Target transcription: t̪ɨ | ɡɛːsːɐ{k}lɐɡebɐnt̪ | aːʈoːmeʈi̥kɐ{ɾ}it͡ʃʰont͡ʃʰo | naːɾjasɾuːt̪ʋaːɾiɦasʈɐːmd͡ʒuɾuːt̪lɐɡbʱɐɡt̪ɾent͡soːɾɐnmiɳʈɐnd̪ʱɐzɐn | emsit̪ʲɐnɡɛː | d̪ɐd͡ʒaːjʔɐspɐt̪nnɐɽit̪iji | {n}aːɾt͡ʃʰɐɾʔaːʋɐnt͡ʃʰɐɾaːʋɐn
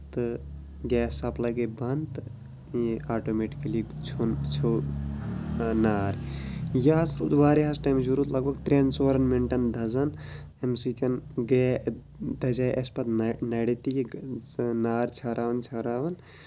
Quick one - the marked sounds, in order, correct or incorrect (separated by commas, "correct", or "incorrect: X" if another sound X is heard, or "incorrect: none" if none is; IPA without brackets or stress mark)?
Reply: incorrect: p, incorrect: l, correct